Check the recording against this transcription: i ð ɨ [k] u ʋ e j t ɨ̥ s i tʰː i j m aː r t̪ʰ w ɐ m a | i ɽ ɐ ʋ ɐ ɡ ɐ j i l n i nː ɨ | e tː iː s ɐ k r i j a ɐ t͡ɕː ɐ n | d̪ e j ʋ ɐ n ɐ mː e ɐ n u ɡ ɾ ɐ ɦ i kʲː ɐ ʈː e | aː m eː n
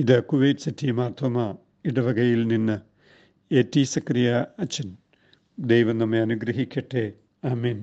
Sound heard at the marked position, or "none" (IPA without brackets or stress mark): k